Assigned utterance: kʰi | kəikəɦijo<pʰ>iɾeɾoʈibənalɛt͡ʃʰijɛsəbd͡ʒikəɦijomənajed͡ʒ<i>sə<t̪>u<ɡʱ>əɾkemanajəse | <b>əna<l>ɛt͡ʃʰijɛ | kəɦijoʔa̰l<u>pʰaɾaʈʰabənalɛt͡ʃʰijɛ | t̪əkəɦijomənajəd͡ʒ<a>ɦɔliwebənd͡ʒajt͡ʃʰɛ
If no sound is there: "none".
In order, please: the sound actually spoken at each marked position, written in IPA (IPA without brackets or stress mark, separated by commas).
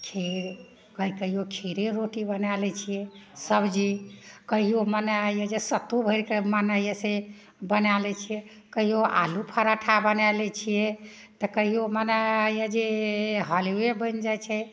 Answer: kʰ, e, t̪, bʱ, b, l, u, e